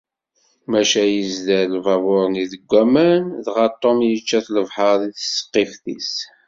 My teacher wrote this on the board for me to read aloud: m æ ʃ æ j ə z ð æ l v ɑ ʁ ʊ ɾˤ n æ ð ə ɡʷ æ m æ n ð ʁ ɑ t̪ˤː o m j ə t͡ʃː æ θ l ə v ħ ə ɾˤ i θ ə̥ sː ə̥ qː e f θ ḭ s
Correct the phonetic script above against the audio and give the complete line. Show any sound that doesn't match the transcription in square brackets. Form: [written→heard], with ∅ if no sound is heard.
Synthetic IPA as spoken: m æ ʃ æ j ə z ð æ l v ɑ [ʁ→v] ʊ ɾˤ n [æ→i] ð ə ɡʷ æ m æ n ð ʁ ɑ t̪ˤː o m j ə t͡ʃː æ θ l ə v ħ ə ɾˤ i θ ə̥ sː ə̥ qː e f θ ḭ s